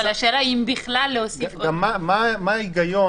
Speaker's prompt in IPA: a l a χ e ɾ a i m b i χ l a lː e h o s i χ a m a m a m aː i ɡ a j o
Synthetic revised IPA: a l a ʃ e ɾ a i m b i χ l a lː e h o s i f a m a m a m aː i ɡ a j o